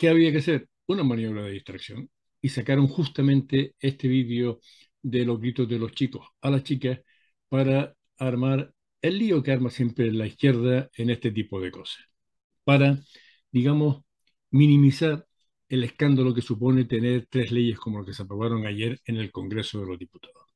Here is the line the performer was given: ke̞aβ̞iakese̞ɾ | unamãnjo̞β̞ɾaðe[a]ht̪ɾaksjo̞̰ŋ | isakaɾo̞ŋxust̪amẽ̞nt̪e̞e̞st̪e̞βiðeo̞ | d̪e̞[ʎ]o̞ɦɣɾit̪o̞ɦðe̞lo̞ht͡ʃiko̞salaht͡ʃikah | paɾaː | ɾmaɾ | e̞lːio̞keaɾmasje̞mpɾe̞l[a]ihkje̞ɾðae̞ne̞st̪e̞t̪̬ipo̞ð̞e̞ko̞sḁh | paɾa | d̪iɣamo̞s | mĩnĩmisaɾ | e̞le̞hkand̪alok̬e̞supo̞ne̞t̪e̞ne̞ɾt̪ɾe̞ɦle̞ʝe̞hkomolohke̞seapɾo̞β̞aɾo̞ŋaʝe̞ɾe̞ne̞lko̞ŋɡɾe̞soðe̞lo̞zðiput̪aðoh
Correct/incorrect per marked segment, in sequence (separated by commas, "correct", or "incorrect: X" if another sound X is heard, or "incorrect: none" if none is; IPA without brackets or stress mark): incorrect: i, incorrect: l, correct